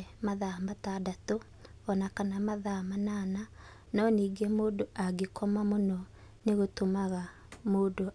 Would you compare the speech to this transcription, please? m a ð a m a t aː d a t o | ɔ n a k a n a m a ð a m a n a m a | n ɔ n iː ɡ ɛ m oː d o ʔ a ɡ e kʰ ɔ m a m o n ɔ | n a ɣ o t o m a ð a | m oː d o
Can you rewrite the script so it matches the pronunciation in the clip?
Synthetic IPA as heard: m a ð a m a t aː d a t o | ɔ n a k a n a m a ð a m a n a n a | n ɔ n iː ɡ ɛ m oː d o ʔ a ɡ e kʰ ɔ m a m o n ɔ | n e ɣ o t o m a ɣ a | m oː d o